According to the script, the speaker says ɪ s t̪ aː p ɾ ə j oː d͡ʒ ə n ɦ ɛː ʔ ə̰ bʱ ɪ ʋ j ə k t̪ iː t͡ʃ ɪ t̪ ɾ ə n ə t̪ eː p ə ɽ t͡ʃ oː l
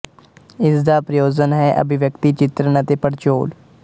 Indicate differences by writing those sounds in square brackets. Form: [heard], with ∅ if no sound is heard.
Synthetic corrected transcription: ɪ s [d̪] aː p ɾ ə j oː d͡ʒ ə n ɦ ɛː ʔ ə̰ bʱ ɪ ʋ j ə k t̪ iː t͡ʃ ɪ t̪ ɾ ə n ə t̪ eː p ə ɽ t͡ʃ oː l